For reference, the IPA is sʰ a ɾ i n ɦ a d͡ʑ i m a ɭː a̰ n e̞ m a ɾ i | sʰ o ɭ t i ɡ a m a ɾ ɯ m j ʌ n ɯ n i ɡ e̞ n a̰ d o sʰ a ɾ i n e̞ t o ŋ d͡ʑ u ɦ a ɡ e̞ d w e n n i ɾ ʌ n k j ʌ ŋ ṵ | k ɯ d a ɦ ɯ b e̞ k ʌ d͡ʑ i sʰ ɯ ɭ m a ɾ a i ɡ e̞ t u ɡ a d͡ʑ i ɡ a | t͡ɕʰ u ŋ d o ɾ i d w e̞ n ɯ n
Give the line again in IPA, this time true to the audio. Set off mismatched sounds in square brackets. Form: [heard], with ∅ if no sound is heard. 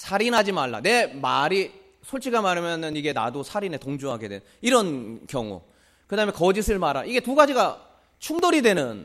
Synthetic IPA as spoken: sʰ a ɾ i n ɦ a d͡ʑ i m a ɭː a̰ n e̞ m a ɾ i | sʰ o ɭ [t͡ɕʰ] i ɡ a m a ɾ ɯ m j ʌ n ɯ n i ɡ e̞ n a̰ d o sʰ a ɾ i n e̞ t o ŋ d͡ʑ u ɦ a ɡ e̞ d w e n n i ɾ ʌ n k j ʌ ŋ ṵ | k ɯ d a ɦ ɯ [m] e̞ k ʌ d͡ʑ i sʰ ɯ ɭ m a ɾ a i ɡ e̞ t u ɡ a d͡ʑ i ɡ a | t͡ɕʰ u ŋ d o ɾ i d w e̞ n ɯ n